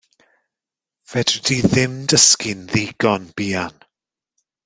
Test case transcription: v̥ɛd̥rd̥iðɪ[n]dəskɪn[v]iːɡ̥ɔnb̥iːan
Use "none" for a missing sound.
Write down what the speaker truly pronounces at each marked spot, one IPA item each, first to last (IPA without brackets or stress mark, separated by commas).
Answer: m, ð